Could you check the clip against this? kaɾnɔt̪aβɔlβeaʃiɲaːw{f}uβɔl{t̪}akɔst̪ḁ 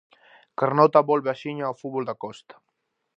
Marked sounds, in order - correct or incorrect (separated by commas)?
correct, incorrect